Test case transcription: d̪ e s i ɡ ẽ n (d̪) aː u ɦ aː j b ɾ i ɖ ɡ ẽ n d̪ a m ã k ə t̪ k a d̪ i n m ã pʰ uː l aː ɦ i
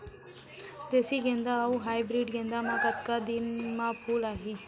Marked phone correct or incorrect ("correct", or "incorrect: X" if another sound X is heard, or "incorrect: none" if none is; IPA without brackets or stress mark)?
correct